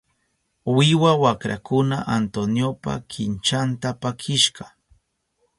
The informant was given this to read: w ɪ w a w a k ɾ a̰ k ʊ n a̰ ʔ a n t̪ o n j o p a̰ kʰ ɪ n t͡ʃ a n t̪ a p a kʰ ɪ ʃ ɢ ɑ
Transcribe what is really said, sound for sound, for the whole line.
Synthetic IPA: w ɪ w a w a k ɾ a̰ k ʊ n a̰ ʔ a n t̪ o n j o p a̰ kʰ ɪ n t͡ʃ a n t̪ a p a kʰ ɪ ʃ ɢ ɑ